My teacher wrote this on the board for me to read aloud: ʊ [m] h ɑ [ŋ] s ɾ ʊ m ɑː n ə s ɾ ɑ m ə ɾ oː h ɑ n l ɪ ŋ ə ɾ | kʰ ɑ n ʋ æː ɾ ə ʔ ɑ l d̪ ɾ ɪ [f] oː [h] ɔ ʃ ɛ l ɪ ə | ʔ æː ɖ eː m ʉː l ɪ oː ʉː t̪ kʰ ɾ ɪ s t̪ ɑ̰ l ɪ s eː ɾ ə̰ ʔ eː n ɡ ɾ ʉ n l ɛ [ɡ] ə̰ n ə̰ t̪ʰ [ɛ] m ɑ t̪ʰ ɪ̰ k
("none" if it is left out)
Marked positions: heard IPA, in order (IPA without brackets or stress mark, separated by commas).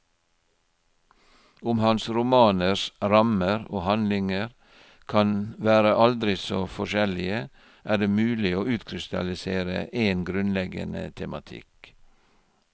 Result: m, n, s, f, ɡ, ɛ